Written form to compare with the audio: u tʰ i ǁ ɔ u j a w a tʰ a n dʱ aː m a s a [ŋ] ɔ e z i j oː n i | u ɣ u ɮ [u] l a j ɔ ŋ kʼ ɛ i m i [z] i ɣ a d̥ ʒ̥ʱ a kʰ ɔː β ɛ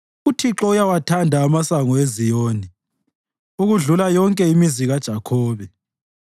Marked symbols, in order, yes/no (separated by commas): yes, yes, yes